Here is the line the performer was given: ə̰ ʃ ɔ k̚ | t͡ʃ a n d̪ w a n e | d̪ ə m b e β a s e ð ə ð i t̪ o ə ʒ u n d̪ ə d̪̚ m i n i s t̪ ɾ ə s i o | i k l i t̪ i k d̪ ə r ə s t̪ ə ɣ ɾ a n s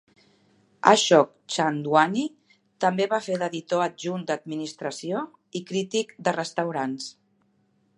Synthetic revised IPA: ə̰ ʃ ɔ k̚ | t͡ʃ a n d̪ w a n i | t̪ ə m b e β a f e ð ə ð i t̪ o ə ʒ u n d̪ ə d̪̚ m i n i s t̪ ɾ ə s i o | i k ɾ i t̪ i k d̪ ə r ə s t̪ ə w ɾ a n s